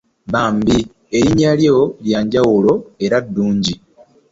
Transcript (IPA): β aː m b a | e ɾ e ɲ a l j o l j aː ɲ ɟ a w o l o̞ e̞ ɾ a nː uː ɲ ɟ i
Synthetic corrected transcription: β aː m b i | e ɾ i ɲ a l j o l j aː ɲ ɟ a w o l o̞ e̞ ɾ a dː uː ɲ ɟ i